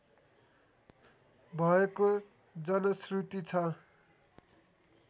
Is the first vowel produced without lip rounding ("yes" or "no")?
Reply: yes